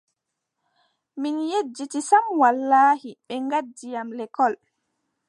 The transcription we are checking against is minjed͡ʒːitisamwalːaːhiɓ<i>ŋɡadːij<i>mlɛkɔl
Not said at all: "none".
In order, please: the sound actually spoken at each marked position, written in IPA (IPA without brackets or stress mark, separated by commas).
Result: ɛ, a